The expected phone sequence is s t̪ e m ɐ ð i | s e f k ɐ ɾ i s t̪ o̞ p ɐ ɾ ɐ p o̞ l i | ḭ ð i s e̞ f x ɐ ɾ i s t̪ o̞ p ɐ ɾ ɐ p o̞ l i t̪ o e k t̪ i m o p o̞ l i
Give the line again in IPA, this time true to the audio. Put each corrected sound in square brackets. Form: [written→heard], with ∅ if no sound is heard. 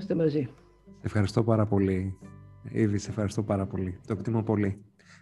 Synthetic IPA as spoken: s t̪ e m ɐ [ð→z] i | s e f [k→x] ɐ ɾ i s t̪ o̞ p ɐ ɾ ɐ p o̞ l i | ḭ ð i s e̞ f x ɐ ɾ i s t̪ o̞ p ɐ ɾ ɐ p o̞ l i t̪ o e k t̪ i m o p o̞ l i